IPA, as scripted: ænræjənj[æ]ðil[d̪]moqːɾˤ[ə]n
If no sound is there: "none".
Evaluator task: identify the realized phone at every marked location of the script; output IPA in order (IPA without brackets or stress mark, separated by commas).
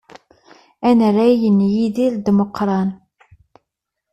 i, d̪, ɑ